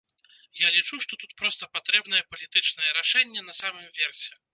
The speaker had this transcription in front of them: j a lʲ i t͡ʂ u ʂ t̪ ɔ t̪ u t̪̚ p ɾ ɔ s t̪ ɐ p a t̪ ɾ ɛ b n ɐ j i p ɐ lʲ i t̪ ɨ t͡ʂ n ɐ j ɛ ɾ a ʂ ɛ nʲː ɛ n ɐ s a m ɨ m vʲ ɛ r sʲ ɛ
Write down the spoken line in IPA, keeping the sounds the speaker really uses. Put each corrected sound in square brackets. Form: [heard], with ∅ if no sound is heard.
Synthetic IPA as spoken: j a lʲ i t͡ʂ u ʂ t̪ ɔ t̪ u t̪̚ p ɾ ɔ s t̪ ɐ p a t̪ ɾ ɛ b n ɐ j [ɛ] p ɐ lʲ i t̪ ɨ t͡ʂ n ɐ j ɛ ɾ a ʂ ɛ nʲː ɛ n ɐ s a m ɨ m vʲ ɛ r sʲ ɛ